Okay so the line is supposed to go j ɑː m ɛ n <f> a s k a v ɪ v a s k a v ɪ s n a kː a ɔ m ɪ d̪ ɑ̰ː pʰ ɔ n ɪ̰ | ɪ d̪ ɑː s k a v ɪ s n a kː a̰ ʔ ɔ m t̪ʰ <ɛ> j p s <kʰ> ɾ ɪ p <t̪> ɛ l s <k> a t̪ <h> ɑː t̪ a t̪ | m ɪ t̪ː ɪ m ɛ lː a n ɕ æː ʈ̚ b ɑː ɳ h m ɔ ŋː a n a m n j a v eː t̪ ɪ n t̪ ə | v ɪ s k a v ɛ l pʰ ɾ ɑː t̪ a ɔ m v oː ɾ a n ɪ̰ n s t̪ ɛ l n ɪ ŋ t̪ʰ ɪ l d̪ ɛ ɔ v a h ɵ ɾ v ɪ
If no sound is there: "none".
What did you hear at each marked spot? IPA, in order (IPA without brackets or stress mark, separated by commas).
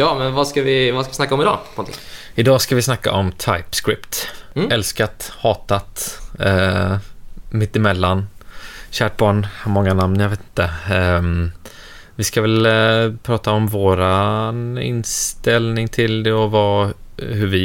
v, a, k, t̪, k, h